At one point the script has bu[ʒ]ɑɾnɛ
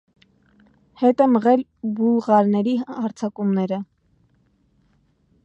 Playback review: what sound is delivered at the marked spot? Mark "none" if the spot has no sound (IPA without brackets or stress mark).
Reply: ʁ